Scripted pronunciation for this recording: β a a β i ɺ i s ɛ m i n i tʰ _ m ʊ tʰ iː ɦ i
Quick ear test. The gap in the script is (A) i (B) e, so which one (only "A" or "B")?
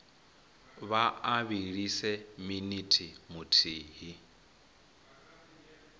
A